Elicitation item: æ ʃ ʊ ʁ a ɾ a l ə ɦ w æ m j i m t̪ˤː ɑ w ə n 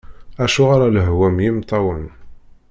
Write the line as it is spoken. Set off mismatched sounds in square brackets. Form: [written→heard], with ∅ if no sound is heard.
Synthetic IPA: æ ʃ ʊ ʁ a ɾ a l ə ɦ w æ m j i m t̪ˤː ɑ w ə n